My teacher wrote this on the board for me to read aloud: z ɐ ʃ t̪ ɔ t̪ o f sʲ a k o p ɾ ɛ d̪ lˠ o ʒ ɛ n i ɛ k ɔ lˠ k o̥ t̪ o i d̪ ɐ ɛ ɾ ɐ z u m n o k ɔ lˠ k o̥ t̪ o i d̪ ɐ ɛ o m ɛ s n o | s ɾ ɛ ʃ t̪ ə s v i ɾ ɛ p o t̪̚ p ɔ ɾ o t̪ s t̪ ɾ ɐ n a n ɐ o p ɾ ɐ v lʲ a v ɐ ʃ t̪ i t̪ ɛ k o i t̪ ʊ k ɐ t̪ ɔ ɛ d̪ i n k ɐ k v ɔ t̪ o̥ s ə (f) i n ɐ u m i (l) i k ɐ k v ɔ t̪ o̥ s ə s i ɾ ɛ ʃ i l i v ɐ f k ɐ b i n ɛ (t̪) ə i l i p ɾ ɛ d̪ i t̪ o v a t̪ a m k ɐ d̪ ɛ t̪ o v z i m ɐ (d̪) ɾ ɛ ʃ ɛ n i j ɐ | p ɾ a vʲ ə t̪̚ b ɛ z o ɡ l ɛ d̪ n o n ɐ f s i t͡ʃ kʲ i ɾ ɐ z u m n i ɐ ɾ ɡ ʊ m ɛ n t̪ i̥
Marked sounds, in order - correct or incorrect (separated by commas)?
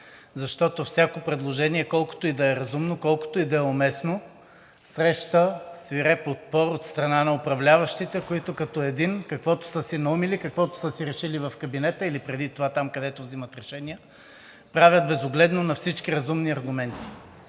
incorrect, correct, correct, incorrect